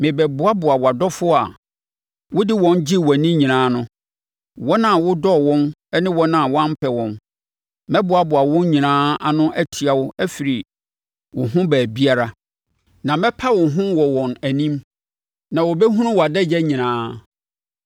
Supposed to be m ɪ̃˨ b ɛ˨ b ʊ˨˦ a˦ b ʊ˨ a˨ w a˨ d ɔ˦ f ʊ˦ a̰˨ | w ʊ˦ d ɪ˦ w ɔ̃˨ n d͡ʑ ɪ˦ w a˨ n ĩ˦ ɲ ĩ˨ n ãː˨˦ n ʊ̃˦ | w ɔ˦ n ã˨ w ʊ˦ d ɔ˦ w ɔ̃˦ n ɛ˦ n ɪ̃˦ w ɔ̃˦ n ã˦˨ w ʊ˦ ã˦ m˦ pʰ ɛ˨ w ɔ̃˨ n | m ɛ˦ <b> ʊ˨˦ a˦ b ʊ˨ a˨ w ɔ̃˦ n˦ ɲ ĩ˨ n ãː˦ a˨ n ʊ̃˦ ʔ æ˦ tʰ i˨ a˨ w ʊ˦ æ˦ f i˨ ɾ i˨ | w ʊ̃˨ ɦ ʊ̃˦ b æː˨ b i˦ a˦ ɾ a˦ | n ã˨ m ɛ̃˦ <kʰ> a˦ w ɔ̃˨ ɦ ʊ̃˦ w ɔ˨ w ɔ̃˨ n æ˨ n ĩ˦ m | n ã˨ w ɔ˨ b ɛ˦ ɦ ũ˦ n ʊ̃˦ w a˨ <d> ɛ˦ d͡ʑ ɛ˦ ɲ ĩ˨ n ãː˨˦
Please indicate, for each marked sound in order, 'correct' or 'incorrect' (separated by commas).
correct, incorrect, correct